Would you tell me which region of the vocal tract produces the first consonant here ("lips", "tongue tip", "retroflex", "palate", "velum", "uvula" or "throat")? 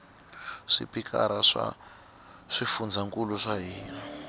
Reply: retroflex